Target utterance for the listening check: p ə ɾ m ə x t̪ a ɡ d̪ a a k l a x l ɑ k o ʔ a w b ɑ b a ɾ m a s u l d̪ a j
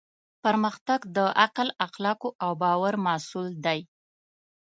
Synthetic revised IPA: p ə ɾ m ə x t̪ a ɡ d̪ ə a q l a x l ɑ k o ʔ a w b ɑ w a ɾ m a s u l d̪ a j